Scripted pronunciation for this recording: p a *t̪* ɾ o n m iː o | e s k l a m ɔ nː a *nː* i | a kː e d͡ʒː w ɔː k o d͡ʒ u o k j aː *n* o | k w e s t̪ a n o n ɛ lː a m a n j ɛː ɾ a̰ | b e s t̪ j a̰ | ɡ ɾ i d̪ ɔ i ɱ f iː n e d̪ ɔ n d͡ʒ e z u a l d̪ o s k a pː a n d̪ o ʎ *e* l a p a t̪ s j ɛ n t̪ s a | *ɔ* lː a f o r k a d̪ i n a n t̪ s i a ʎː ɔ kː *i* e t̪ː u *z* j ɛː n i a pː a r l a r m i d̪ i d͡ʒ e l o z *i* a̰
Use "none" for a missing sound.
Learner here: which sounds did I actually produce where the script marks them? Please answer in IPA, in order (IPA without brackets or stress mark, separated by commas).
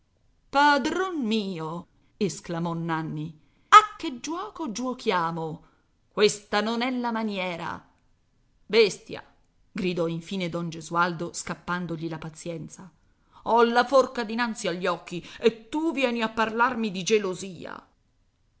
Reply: d̪, nː, m, i, ɔ, i, v, iː